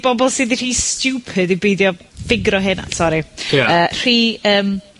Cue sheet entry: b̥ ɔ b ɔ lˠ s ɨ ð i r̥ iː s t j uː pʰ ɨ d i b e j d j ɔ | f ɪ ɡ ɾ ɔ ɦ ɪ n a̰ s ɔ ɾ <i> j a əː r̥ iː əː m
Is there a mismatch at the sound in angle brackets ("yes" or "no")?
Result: no